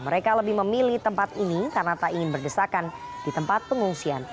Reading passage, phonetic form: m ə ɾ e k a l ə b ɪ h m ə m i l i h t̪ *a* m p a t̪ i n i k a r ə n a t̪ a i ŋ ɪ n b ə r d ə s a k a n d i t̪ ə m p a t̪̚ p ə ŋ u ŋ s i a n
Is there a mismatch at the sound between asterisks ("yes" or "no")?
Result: yes